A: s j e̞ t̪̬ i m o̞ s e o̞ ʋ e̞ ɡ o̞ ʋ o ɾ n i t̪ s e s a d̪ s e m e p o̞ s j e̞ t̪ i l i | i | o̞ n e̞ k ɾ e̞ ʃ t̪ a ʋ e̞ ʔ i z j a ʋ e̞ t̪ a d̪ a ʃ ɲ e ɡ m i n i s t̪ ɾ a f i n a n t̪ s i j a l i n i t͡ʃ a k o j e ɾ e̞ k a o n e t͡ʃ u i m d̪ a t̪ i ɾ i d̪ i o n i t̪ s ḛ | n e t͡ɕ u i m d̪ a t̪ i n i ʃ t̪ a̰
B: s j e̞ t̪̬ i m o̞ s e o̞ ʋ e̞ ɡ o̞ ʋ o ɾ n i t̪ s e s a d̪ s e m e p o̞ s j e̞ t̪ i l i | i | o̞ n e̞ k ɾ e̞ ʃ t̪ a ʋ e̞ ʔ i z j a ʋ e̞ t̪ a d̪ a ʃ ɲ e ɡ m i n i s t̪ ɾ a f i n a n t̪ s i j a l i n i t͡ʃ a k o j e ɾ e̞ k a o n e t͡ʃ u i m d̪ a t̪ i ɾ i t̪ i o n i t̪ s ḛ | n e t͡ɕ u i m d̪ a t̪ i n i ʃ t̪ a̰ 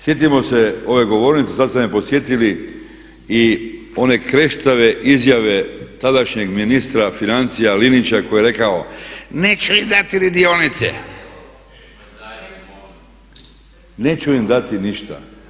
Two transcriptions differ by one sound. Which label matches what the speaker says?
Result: A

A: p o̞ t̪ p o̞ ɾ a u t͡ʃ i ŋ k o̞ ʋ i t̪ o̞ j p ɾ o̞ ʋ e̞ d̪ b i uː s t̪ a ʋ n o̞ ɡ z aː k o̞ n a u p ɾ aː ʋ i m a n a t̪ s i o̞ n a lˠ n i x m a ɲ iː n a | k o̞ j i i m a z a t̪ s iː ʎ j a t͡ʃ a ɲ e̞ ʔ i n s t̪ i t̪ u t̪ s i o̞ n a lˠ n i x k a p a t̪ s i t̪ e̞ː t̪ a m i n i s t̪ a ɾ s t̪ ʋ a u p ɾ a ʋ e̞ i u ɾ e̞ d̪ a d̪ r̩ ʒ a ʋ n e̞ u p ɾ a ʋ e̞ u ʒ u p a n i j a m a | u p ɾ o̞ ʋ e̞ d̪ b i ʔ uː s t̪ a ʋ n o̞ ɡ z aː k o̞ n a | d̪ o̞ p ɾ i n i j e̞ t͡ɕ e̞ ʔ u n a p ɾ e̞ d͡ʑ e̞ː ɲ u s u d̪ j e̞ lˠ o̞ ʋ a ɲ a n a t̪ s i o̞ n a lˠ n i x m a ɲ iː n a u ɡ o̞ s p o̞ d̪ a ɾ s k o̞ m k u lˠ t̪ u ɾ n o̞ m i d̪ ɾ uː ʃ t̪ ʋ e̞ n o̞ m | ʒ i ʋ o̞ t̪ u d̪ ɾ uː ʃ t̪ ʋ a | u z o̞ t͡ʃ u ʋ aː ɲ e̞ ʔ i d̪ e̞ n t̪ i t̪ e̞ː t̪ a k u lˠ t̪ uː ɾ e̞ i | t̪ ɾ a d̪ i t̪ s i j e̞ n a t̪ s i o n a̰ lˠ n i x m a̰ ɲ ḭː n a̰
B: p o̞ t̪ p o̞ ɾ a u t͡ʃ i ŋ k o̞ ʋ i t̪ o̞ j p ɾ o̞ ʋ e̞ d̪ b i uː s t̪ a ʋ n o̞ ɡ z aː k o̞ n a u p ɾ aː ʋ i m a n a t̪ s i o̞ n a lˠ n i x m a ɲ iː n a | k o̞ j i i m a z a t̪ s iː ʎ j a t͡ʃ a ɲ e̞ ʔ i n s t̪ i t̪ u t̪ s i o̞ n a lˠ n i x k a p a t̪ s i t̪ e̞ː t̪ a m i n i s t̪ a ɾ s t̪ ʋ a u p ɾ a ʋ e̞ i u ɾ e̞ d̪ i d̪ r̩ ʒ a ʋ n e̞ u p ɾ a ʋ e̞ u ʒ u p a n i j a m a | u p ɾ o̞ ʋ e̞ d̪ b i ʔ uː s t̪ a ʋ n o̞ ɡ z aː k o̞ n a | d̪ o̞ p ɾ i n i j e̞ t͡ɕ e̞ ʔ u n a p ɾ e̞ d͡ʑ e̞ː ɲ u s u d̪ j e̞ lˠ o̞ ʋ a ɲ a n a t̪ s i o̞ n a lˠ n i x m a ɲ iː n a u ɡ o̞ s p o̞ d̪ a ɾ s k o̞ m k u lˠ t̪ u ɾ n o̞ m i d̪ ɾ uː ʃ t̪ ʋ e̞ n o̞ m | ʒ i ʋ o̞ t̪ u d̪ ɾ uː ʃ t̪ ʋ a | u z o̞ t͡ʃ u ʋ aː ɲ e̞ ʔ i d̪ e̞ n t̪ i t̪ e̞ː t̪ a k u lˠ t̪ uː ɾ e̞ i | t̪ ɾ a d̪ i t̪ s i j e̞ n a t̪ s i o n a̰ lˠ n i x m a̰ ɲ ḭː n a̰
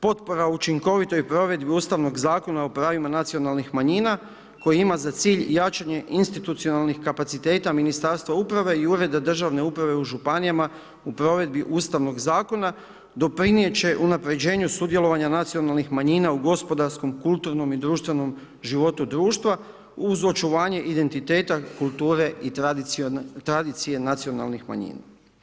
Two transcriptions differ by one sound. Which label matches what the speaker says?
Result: A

